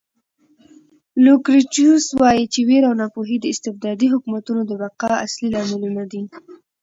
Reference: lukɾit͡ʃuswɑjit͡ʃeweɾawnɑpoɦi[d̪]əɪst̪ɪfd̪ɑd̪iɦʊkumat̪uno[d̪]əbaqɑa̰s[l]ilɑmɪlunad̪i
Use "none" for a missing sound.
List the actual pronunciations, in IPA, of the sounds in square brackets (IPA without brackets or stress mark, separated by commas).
d̪, d̪, l